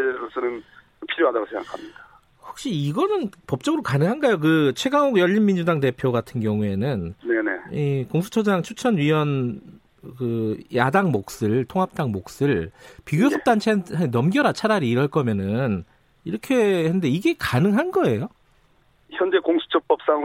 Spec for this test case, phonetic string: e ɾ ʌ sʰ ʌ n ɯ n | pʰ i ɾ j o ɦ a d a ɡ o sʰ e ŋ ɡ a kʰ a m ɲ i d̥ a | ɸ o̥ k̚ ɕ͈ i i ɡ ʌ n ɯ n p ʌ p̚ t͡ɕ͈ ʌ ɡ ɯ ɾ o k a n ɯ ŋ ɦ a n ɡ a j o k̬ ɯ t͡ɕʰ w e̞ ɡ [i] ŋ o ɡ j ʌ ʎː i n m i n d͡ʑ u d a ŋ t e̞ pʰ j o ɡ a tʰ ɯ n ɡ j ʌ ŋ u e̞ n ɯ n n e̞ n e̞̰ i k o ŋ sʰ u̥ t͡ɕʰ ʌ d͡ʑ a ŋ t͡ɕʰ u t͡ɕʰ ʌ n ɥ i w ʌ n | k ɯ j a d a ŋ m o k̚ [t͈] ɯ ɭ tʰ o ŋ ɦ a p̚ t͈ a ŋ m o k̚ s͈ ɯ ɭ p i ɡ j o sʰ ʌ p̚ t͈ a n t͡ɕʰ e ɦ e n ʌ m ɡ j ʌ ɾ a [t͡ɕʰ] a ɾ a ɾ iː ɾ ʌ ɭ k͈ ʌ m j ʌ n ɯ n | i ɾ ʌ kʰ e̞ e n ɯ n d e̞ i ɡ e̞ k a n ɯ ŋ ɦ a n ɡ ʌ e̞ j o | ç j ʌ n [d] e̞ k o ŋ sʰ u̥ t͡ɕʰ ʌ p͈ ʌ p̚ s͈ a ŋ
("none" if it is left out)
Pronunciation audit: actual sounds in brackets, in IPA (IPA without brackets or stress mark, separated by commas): a, s͈, t͡ɕʰ, d͡ʑ